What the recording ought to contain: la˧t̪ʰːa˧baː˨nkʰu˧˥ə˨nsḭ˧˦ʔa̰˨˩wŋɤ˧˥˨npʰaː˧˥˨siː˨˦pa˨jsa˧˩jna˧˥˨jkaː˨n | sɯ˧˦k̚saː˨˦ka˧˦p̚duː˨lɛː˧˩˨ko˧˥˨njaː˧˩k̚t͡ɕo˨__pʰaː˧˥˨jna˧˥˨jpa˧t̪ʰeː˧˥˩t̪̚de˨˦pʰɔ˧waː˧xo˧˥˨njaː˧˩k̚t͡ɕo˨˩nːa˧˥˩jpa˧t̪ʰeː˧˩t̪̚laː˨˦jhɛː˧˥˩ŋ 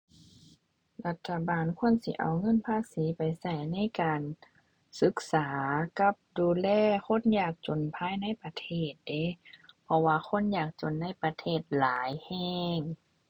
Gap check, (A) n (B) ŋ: A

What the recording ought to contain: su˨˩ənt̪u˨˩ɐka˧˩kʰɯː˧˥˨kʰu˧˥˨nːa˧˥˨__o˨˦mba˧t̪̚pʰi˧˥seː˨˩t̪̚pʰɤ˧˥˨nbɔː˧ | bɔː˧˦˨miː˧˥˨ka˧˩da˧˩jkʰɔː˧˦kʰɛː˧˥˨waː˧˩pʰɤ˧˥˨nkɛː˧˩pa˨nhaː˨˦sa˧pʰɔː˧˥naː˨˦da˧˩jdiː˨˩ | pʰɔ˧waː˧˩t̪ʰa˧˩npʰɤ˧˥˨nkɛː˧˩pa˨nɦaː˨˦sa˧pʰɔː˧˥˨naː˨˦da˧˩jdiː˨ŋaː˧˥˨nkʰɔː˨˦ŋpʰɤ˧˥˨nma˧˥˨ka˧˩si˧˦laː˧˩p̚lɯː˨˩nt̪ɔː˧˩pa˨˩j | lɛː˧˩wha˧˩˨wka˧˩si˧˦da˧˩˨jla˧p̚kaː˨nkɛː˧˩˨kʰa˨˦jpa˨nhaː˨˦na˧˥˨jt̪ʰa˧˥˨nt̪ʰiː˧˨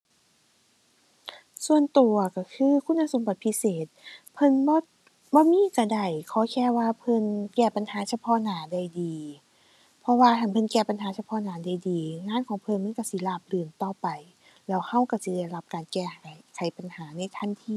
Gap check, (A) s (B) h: A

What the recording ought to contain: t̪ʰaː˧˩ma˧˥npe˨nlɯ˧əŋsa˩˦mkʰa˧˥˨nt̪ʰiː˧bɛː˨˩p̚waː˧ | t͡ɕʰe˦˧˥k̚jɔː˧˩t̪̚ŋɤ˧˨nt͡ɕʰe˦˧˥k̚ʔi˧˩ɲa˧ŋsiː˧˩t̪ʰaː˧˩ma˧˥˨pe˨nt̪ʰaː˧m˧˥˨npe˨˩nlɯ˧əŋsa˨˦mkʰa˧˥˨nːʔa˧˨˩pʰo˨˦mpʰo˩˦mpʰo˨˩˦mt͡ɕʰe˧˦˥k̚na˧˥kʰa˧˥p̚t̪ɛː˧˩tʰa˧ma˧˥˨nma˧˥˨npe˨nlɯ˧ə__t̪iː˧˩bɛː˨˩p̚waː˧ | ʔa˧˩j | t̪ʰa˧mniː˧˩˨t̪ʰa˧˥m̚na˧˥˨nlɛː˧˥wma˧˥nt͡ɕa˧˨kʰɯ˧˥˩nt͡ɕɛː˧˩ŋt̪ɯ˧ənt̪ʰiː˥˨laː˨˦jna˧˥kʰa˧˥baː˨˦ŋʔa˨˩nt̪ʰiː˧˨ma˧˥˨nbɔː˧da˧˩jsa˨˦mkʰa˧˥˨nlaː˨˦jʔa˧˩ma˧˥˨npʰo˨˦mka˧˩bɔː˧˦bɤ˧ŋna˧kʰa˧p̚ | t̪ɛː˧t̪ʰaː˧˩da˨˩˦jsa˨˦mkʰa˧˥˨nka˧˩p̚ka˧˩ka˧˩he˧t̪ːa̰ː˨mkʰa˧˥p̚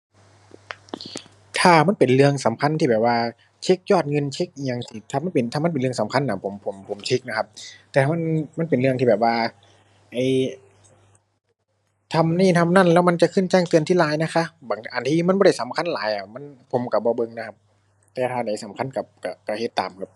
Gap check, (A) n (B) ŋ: B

